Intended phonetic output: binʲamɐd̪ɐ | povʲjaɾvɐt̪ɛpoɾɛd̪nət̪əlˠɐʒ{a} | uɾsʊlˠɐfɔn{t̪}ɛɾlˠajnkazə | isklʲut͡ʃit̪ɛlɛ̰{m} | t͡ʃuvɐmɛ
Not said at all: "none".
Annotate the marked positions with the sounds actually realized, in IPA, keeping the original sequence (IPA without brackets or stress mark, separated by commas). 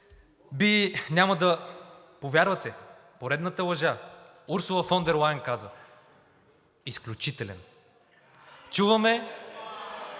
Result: a, d̪, n